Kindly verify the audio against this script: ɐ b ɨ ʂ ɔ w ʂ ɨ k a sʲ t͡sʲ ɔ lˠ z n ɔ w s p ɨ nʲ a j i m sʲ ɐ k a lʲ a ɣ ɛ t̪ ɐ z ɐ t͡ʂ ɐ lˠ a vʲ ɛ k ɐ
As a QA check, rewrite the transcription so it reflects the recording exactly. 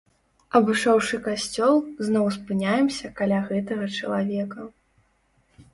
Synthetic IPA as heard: ɐ b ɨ ʂ ɔ w ʂ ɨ k a sʲ t͡sʲ ɔ lˠ z n ɔ w s p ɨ nʲ a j ɛ m sʲ ɐ k a lʲ a ɣ ɛ t̪ ɐ ɣ ɐ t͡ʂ ɐ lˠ a vʲ ɛ k ɐ

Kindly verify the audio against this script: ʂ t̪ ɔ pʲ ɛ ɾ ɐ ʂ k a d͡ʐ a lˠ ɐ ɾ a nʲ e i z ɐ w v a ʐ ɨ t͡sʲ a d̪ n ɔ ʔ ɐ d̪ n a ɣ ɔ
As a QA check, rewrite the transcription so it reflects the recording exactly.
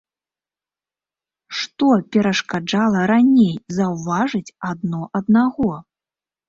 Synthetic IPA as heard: ʂ t̪ ɔ pʲ ɛ ɾ ɐ ʂ k a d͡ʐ a lˠ ɐ ɾ a nʲ e j z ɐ w v a ʐ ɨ t͡sʲ a d̪ n ɔ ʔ ɐ d̪ n a ɣ ɔ

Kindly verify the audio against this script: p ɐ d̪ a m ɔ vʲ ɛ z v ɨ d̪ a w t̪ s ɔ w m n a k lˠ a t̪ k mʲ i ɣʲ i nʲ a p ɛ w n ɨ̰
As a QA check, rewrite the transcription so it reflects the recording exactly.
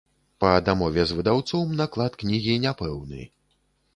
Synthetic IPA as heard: p ɐ d̪ a m ɔ vʲ ɛ z v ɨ d̪ a w t̪ s ɔ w m n a k lˠ a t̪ k nʲ i ɣʲ i nʲ a p ɛ w n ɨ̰

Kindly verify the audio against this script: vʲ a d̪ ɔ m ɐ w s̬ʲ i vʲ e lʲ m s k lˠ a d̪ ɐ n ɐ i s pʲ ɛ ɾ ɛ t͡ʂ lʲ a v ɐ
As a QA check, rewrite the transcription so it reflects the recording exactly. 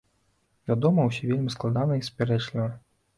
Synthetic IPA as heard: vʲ a d̪ ɔ m ɐ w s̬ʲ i vʲ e lʲ m s k lˠ a d̪ a n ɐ i s pʲ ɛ ɾ ɛ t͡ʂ lʲ i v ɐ

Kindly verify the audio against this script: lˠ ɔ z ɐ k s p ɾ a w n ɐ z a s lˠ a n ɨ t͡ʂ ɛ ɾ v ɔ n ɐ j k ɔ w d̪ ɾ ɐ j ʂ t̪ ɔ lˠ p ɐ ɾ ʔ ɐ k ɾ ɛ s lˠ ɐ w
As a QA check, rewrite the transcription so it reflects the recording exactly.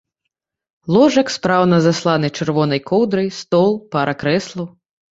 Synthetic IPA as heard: lˠ ɔ ʐ ɐ k s p ɾ a w n ɐ z a s lˠ a n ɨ t͡ʂ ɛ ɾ v ɔ n ɐ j k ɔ w d̪ ɾ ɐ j s t̪ ɔ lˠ p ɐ ɾ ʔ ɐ k ɾ ɛ s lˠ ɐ w

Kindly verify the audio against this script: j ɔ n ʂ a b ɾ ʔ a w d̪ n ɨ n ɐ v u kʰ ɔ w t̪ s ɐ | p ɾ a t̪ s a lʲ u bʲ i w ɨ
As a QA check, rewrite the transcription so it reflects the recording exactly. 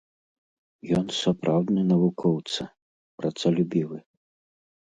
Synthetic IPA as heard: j ɔ n s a p ɾ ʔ a w d̪ n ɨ n ɐ v u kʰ ɔ w t̪ s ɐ | p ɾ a t̪ s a lʲ u bʲ i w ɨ

